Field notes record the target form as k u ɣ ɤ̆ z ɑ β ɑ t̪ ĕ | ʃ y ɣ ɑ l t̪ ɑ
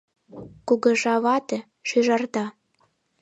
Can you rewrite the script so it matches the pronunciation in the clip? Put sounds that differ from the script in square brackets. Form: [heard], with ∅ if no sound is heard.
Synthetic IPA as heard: k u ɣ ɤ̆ [ʒ] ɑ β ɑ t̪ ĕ | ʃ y [ʒ] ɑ [r] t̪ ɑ